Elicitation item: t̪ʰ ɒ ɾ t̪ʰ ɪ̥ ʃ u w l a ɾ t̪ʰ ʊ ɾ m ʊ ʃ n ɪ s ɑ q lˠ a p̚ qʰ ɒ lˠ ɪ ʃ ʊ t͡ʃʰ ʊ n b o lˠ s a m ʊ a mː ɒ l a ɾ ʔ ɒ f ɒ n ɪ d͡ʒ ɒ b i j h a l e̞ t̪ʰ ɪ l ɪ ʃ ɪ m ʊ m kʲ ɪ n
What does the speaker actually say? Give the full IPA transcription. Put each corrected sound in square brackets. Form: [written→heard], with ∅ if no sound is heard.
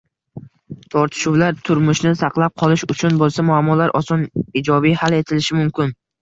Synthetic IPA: t̪ʰ ɒ ɾ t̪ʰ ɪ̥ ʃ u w l a ɾ t̪ʰ ʊ ɾ m ʊ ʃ n ɪ s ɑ q lˠ a p̚ qʰ ɒ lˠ ɪ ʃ ʊ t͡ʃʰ ʊ n b o lˠ s a m ʊ a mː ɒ l a ɾ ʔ ɒ [f→s] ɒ n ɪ d͡ʒ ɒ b i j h a l e̞ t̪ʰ ɪ l ɪ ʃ ɪ m ʊ m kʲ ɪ n